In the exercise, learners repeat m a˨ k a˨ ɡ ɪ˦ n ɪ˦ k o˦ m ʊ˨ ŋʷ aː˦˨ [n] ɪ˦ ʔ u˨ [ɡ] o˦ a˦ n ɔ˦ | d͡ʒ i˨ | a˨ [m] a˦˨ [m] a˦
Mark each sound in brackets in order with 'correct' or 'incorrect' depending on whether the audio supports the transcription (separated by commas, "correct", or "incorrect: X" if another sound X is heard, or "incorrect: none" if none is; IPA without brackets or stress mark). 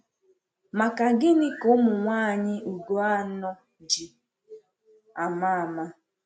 incorrect: ɲ, correct, correct, correct